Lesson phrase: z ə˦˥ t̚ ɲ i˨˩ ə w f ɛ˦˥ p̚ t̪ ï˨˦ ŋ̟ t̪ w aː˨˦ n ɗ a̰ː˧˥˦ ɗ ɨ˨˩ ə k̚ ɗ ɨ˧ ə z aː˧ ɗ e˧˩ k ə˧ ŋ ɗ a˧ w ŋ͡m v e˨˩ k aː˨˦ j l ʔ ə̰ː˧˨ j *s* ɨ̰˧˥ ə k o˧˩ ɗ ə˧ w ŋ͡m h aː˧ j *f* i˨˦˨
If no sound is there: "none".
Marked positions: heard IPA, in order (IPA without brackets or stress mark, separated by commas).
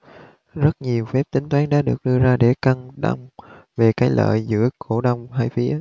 z, f